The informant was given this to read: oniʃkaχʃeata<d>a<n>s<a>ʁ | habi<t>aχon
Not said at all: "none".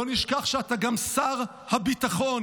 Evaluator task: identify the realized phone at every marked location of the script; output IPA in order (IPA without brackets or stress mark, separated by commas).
ɡ, m, a, t